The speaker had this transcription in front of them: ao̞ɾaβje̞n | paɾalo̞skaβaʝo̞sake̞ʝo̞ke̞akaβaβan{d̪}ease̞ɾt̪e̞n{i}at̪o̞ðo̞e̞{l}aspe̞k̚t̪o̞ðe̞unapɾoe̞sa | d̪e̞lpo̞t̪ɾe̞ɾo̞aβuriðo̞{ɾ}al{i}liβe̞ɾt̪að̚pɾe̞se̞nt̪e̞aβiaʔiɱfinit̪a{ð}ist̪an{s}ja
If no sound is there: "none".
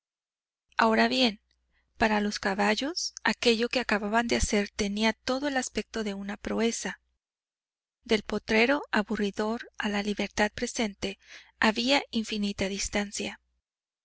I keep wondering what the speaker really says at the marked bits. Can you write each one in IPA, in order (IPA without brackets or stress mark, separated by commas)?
d̪, i, l, ɾ, a, ð, s